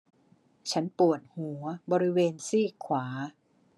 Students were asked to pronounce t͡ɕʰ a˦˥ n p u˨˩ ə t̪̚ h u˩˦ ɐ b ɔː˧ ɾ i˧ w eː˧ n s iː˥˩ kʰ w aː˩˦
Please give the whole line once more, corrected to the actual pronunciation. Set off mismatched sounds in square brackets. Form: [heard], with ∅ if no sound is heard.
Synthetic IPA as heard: t͡ɕʰ a˦˥ n p u˨˩ ə t̪̚ h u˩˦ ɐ b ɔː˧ ɾ [i˦˥] w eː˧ n s iː˥˩ kʰ w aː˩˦